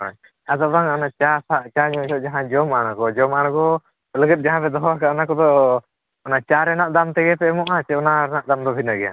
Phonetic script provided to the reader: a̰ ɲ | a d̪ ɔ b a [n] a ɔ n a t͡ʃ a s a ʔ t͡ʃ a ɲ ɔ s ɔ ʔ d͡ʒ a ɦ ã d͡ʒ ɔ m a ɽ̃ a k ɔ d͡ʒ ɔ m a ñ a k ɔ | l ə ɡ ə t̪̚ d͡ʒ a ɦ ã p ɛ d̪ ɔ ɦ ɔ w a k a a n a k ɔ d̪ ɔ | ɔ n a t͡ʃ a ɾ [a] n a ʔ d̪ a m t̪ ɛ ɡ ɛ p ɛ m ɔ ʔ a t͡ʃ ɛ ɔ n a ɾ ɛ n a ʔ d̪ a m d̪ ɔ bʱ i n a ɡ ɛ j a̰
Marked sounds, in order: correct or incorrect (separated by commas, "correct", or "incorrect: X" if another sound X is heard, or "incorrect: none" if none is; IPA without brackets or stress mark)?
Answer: incorrect: ŋ, incorrect: ɛ